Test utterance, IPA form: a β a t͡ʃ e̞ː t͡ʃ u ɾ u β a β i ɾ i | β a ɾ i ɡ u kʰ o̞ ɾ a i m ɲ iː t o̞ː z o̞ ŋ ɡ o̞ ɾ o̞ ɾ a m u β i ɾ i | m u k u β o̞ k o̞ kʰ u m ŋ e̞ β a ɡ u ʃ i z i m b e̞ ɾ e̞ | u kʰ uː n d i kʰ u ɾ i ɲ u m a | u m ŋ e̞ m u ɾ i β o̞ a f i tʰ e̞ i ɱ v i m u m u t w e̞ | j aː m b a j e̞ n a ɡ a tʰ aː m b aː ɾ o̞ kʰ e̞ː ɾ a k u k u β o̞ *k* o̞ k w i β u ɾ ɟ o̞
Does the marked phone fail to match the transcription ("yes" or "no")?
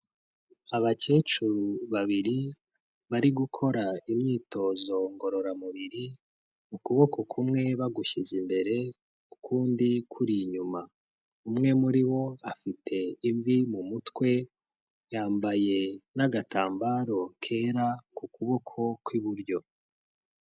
yes